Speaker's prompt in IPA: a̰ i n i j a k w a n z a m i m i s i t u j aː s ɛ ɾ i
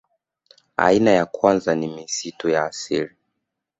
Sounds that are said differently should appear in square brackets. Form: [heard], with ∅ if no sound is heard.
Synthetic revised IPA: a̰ i n [a] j a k w a n z a [n] i m i s i t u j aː s [i] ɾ i